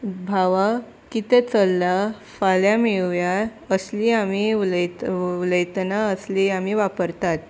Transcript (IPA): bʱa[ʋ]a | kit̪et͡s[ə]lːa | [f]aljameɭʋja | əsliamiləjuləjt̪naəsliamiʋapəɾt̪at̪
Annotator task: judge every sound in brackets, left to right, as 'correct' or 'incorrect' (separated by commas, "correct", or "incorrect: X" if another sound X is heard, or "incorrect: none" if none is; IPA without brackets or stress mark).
correct, correct, correct